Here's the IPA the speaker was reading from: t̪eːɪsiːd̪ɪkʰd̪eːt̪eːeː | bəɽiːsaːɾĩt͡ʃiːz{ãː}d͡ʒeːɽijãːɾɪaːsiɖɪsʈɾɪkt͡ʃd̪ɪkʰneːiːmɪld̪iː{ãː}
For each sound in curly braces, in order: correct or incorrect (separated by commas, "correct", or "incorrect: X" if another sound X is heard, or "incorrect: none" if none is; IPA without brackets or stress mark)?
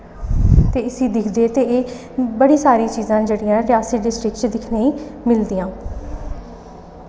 correct, correct